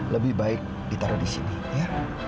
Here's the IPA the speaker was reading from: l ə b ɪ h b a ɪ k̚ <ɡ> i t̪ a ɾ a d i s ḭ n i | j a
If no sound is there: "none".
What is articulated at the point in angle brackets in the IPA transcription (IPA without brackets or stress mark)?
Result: d